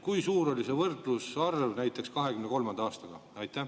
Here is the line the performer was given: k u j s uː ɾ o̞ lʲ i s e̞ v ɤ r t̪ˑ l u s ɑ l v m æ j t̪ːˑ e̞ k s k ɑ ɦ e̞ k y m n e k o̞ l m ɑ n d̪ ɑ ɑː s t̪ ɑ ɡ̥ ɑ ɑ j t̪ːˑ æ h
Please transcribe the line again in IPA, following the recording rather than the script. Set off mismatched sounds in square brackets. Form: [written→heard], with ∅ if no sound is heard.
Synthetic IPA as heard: k u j s uː ɾ o̞ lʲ i s e̞ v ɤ r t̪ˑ l u s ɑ [l→r] v [m→n] æ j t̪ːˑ e̞ k s k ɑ ɦ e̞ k y m n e k o̞ l m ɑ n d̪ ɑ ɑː s t̪ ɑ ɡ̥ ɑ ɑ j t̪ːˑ æ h